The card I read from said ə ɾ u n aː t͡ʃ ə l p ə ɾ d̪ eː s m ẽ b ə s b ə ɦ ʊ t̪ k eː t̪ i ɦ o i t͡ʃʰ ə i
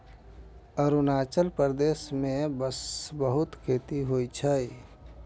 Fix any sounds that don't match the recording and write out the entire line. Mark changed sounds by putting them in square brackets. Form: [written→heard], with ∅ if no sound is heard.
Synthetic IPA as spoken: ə ɾ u n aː t͡ʃ ə l p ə ɾ d̪ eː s m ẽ b ə s b ə ɦ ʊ t̪ [k→kʰ] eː t̪ i ɦ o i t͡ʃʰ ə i